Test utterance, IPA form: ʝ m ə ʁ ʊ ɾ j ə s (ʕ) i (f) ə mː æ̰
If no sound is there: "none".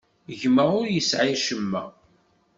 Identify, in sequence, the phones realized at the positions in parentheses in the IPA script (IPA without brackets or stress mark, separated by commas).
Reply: ʕ, ʃ